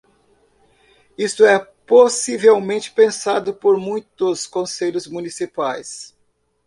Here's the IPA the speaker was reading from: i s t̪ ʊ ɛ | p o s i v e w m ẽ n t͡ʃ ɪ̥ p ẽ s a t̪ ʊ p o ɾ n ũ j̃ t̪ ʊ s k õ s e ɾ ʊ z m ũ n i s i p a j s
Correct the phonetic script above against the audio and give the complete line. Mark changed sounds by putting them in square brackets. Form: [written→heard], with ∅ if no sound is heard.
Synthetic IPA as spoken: i s t̪ ʊ ɛ | p o s i v e w m ẽ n t͡ʃ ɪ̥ p ẽ s a [t̪→d̪] ʊ p o ɾ [n→m] ũ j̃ t̪ ʊ s k õ s e [ɾ→ʎ] ʊ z m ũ n i s i p a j s